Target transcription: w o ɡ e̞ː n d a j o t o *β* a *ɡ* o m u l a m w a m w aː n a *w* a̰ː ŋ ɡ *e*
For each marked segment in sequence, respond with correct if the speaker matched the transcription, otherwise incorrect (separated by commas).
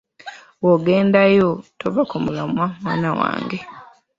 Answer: correct, incorrect, correct, correct